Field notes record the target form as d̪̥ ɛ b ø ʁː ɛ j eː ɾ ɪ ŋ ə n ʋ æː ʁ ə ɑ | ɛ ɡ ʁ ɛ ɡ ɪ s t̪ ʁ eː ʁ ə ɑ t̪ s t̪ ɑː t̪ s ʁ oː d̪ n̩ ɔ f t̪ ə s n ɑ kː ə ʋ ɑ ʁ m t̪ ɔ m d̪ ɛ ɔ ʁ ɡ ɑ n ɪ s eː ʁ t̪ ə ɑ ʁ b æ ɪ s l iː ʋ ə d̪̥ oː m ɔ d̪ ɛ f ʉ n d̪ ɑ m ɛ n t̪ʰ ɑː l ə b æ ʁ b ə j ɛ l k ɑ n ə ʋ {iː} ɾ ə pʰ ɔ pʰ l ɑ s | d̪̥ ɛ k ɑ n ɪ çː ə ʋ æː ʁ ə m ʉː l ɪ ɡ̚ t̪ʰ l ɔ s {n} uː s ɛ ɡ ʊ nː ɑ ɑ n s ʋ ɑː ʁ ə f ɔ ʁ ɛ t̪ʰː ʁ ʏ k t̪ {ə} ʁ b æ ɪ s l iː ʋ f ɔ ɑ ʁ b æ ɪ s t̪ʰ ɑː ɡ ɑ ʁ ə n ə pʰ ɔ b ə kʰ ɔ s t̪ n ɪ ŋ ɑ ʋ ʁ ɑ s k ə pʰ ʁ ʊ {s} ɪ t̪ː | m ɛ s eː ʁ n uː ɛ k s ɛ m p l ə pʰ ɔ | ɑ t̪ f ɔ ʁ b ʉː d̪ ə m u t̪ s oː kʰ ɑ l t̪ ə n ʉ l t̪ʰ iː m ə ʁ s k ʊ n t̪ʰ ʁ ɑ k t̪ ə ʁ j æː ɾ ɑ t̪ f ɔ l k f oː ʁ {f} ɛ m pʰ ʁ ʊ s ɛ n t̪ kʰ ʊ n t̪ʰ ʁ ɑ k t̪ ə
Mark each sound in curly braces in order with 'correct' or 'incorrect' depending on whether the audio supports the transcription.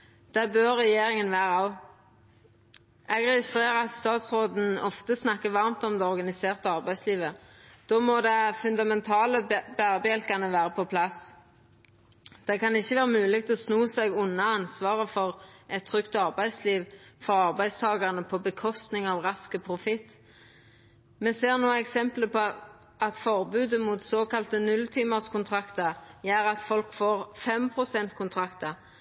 incorrect, correct, incorrect, incorrect, correct

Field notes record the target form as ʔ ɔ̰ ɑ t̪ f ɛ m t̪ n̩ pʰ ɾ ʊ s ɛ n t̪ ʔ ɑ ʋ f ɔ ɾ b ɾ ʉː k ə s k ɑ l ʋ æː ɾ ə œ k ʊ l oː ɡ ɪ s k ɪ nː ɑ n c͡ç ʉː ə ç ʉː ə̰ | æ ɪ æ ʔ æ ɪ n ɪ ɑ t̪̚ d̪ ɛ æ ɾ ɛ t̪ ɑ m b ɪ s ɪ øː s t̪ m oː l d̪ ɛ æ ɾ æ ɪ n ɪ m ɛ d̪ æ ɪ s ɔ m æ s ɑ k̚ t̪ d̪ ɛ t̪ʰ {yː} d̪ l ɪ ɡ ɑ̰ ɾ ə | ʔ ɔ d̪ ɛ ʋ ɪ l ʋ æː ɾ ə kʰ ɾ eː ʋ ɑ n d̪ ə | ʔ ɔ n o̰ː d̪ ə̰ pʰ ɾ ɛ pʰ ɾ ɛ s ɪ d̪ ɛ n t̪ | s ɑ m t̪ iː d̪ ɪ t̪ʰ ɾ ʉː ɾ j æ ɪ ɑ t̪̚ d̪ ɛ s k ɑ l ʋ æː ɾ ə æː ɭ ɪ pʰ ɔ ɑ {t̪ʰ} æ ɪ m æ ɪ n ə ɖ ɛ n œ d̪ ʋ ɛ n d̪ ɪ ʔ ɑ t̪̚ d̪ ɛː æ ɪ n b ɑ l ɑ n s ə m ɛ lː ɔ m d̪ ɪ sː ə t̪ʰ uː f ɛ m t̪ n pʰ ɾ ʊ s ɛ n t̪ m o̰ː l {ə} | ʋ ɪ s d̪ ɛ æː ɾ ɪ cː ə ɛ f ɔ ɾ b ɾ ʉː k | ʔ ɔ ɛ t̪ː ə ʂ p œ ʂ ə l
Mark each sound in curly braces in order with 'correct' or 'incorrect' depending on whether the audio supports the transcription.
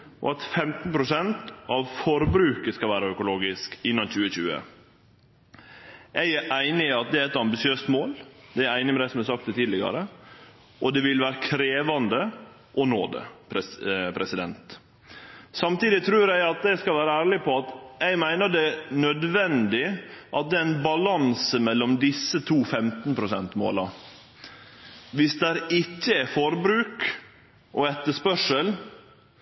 incorrect, incorrect, incorrect

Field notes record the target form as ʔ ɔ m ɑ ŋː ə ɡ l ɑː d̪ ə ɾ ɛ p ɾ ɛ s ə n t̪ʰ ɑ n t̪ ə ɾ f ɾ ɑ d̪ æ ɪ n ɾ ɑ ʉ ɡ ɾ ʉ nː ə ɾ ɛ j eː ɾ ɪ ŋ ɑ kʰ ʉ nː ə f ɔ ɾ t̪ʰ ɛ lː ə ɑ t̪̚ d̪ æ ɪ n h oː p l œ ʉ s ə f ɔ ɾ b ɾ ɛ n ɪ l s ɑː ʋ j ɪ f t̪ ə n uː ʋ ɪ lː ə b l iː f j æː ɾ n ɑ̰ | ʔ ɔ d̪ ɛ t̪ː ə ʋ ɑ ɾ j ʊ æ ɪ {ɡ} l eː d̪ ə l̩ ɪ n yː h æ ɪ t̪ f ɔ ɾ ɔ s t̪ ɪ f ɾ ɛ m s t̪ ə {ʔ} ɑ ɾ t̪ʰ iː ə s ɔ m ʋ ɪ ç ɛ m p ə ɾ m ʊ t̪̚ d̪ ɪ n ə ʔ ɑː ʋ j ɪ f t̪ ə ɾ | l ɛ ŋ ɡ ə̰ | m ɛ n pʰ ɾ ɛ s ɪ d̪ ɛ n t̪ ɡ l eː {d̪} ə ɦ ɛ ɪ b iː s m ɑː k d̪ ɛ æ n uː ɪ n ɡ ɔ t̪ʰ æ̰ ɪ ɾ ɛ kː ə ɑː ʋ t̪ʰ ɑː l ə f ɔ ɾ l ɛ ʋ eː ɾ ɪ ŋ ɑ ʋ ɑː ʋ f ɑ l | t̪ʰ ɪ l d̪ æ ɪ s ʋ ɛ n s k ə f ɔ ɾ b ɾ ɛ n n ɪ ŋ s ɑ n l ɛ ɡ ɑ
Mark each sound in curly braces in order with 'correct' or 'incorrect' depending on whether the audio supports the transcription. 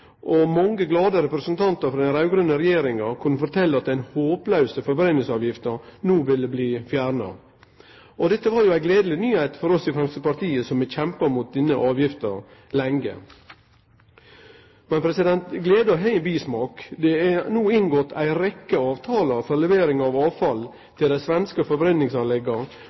correct, incorrect, correct

